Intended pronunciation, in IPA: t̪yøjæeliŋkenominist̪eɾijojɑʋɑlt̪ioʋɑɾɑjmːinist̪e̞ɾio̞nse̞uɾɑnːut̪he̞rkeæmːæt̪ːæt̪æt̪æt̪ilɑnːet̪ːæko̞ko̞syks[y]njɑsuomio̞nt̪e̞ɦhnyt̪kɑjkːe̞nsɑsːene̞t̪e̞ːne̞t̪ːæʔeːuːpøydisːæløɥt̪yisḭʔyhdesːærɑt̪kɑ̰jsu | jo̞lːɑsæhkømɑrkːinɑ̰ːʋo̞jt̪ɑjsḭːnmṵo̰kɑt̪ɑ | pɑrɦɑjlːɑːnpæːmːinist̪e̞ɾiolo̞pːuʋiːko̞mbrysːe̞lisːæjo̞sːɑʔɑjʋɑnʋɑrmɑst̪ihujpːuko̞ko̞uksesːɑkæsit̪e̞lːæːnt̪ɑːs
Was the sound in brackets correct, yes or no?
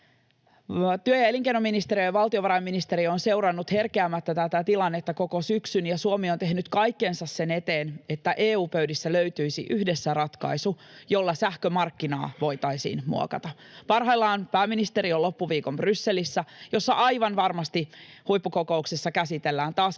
yes